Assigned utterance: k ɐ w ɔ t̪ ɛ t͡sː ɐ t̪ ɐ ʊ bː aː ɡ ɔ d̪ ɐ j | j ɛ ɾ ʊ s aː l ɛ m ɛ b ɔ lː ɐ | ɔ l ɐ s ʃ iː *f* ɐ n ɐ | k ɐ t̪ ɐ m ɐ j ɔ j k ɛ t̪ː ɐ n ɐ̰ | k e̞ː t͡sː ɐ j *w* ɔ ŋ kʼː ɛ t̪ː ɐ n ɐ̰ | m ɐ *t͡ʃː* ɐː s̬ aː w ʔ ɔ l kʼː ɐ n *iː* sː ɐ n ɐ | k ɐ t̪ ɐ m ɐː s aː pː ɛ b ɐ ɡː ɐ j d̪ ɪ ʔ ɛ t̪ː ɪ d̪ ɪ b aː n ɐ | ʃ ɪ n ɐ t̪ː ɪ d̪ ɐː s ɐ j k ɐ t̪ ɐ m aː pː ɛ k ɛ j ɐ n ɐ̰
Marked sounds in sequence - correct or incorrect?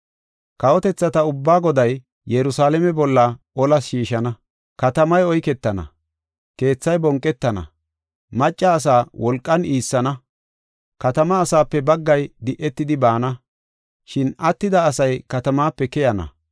incorrect: ʃ, incorrect: b, incorrect: t͡ʃʼː, correct

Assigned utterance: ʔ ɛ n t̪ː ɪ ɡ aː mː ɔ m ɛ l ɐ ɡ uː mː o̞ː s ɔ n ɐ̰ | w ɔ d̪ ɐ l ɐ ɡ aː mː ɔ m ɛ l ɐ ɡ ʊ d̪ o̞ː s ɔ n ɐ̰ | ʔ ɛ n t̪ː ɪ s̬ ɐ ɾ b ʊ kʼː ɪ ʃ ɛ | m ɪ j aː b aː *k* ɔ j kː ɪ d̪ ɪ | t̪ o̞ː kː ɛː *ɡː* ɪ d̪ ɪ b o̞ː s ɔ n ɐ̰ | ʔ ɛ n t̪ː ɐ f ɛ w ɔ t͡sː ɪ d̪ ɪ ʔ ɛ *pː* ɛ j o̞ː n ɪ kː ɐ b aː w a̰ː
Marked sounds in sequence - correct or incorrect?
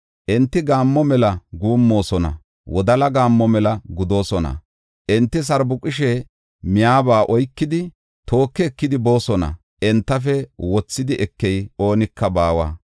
incorrect: ʔ, incorrect: kː, incorrect: kː

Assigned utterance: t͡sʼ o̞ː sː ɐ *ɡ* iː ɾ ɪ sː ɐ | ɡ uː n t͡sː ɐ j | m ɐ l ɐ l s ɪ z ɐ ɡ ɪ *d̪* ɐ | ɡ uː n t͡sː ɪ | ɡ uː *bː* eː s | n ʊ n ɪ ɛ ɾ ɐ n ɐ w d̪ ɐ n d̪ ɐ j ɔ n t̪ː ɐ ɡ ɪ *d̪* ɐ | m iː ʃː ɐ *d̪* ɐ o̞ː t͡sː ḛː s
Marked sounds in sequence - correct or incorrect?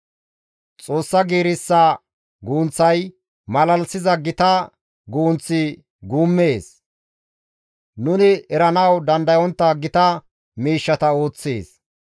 correct, incorrect: t̪, incorrect: mː, incorrect: t̪, incorrect: t̪

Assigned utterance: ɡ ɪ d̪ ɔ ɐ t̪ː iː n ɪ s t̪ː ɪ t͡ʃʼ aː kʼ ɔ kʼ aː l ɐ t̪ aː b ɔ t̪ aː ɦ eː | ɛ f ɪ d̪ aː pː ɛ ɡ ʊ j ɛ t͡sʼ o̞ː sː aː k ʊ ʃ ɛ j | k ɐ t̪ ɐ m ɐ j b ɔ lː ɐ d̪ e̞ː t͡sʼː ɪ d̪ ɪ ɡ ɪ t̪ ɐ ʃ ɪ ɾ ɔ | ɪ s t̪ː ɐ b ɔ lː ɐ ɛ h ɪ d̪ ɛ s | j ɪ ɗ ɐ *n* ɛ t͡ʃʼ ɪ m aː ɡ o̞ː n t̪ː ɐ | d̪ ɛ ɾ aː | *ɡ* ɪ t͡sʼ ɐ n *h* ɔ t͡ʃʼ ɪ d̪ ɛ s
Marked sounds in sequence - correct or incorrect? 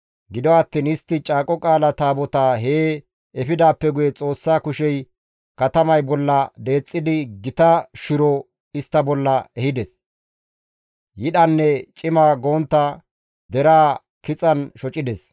incorrect: nː, incorrect: k, incorrect: ʃ

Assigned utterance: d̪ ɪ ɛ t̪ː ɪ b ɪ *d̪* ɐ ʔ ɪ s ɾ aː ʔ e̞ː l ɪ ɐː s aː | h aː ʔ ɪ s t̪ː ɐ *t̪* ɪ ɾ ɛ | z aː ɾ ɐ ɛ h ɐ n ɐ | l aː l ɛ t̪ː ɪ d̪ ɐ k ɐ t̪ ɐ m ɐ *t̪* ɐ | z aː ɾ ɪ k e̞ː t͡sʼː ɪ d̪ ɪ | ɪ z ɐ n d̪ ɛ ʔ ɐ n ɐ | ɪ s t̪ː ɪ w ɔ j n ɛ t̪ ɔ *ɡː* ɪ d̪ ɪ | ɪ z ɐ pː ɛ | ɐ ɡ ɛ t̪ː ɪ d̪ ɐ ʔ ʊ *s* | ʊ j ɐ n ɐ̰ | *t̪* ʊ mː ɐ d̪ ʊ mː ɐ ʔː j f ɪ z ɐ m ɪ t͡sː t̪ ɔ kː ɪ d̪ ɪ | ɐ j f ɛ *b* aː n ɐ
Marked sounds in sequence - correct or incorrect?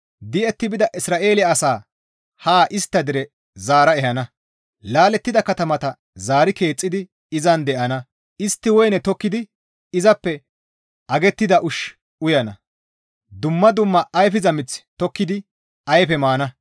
correct, incorrect: d̪, correct, incorrect: kː, incorrect: ʃ, incorrect: d̪, incorrect: m

